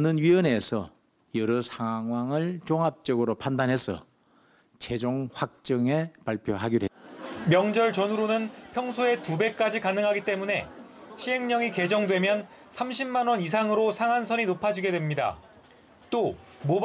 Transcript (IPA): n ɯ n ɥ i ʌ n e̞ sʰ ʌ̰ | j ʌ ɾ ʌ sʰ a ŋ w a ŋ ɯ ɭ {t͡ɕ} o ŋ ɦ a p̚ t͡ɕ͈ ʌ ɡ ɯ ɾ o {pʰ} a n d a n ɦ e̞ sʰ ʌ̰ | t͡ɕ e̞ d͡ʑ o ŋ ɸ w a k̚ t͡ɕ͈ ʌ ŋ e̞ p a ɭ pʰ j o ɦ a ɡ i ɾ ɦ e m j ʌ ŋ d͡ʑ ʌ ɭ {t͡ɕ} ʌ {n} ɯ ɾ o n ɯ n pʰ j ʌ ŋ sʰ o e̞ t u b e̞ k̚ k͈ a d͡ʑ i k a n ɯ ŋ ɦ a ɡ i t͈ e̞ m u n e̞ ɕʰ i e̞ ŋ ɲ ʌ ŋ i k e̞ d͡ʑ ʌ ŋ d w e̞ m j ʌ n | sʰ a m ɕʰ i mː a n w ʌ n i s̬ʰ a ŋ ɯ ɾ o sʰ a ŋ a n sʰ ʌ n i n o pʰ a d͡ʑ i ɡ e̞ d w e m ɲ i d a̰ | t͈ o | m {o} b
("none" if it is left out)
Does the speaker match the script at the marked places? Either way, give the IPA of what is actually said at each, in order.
t͡ɕ, pʰ, t͡ɕ, n, o

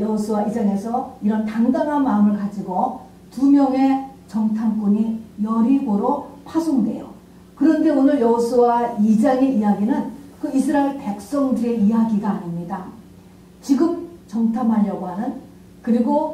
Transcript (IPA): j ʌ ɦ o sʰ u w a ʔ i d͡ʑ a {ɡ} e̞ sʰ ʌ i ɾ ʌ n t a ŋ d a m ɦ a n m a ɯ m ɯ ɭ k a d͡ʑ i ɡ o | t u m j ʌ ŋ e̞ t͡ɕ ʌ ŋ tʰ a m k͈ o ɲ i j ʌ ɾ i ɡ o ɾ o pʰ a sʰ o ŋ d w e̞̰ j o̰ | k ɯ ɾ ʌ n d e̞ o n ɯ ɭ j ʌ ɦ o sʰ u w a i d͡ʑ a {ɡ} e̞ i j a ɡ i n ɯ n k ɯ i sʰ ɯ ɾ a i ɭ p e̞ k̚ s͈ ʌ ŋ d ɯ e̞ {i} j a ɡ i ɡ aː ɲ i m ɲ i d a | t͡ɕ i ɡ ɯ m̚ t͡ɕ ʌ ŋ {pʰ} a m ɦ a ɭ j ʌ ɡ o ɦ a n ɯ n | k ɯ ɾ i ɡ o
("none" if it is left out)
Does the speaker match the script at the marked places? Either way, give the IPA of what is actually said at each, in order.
ŋ, ŋ, i, tʰ

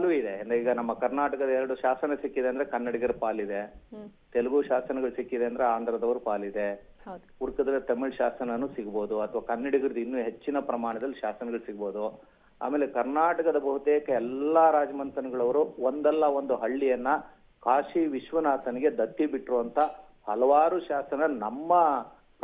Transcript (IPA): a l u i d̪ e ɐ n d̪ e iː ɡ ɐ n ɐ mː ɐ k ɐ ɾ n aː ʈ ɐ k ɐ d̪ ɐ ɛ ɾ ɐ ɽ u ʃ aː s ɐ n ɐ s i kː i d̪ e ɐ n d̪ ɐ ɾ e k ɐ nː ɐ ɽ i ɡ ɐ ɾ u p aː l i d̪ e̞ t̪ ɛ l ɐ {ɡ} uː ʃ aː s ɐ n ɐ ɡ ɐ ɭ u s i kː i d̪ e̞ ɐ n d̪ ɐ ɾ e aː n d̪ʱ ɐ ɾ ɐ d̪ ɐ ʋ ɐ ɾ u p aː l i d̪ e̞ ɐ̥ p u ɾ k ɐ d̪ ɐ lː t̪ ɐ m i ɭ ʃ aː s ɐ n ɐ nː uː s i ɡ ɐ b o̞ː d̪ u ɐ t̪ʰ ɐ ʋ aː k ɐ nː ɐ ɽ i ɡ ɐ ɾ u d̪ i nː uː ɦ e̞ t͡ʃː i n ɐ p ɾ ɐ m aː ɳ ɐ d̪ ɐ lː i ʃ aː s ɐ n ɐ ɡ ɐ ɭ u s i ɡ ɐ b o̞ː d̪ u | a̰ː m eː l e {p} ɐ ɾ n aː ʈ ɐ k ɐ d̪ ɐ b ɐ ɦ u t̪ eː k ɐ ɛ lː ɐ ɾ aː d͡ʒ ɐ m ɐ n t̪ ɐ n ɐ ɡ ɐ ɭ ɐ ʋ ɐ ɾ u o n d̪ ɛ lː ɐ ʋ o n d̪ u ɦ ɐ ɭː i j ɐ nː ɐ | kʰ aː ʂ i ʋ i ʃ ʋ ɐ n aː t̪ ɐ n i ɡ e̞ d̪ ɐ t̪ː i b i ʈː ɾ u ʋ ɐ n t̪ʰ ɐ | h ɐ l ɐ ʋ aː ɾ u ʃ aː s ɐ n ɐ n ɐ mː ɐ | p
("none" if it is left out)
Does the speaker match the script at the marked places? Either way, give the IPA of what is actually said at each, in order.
ɡ, k

